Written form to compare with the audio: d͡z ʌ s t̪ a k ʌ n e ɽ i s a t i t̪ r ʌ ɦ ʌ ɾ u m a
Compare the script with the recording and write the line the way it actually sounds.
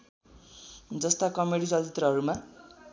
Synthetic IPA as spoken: d͡z ʌ s t̪ a k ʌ m e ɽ i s ʌ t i t̪ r ʌ ɦ ʌ ɾ u m a